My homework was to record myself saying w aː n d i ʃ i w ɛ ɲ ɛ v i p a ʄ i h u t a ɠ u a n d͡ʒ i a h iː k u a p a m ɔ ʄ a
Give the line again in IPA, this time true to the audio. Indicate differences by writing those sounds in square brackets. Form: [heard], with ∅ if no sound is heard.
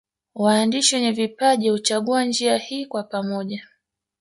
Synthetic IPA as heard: w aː n d i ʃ i w ɛ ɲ ɛ v i p a ʄ i h u [t͡ʃ] a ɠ u a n d͡ʒ i a h iː k [w] a p a m ɔ ʄ a

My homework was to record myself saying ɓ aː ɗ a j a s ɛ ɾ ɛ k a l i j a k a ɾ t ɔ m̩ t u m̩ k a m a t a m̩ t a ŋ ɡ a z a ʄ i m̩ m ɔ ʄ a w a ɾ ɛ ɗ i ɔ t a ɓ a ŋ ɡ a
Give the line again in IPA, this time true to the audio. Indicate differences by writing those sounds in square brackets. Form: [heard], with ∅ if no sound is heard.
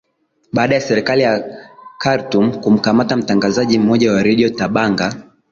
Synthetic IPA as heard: ɓ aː ɗ a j a s ɛ ɾ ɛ k a l i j a k a ɾ t [u] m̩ [k] u m̩ k a m a t a m̩ t a ŋ ɡ a z a ʄ i m̩ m ɔ ʄ a w a ɾ ɛ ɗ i ɔ t a ɓ a ŋ ɡ a

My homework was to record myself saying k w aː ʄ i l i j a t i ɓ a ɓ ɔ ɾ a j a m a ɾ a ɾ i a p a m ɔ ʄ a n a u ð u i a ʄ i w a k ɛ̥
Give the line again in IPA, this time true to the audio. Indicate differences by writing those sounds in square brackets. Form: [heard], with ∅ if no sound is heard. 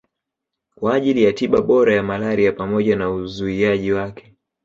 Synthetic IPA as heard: k w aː ʄ i l i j a t i ɓ a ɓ ɔ ɾ a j a m a [l] a ɾ i a p a m ɔ ʄ a n a u [z] u i a ʄ i w a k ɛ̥

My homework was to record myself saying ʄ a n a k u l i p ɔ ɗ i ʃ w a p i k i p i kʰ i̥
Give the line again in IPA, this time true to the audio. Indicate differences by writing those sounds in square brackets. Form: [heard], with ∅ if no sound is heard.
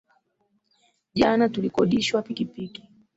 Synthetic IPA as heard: ʄ a n a [t] u l i [k] ɔ ɗ i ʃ w a p i k i p i [k] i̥

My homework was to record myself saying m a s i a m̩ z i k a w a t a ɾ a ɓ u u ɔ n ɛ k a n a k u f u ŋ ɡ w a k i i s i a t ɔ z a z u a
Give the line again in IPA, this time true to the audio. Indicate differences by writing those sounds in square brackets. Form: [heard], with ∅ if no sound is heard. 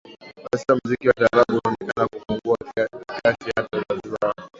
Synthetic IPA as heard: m a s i a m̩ z i k [i] w a t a ɾ a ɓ u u ɔ n ɛ k a n a k u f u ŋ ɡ [u] a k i [a] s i a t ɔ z a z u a

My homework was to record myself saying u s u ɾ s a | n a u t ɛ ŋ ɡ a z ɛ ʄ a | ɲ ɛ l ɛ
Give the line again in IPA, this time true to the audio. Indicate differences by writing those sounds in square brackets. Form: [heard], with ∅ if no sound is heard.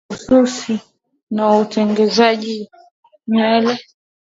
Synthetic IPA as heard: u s u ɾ s [i] | n a u t ɛ ŋ ɡ [ɛ] z [a] ʄ [i] | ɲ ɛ l ɛ

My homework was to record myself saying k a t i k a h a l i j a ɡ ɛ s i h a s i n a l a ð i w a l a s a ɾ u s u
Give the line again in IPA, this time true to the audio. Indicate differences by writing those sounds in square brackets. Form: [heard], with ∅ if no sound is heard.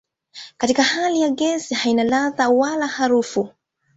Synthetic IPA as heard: k a t i k a h a l i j a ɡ ɛ s i h a [∅] i n a l a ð [a] w a l a [h] a ɾ u [f] u

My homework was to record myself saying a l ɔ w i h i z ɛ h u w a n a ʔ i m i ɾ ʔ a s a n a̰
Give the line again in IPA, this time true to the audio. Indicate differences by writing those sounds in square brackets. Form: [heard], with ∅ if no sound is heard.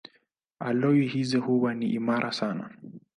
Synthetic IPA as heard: a l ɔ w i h i z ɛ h u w a n [i] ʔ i m [a] ɾ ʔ a s a n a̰

